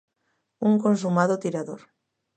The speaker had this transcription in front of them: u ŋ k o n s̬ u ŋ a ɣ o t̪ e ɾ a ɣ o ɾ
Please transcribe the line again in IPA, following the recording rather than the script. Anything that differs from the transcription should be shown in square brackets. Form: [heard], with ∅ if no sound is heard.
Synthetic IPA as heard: u ŋ k o n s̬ u [m] a [ð] o t̪ [i] ɾ a [ð] o ɾ